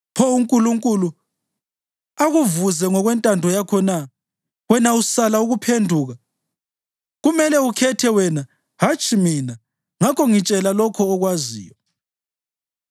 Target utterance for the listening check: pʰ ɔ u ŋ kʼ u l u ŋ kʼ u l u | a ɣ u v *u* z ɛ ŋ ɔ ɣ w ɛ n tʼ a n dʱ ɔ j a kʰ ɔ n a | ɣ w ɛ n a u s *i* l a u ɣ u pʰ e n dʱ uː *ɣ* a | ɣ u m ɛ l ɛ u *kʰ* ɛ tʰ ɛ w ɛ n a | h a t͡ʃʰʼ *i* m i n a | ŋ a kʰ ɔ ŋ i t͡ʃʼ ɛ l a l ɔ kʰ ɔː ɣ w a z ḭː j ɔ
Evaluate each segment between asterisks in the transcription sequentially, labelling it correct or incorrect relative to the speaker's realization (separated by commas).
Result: correct, incorrect, correct, correct, correct